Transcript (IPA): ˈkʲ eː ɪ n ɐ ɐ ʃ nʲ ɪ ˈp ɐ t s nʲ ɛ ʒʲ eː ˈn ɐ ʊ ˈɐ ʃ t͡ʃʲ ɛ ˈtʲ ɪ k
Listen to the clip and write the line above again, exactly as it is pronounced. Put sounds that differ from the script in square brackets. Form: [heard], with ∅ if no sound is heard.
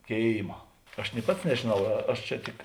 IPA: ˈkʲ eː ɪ [m] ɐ ɐ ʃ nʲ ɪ ˈp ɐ t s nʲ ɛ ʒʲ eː ˈn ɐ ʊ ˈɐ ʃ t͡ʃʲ ɛ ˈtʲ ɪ k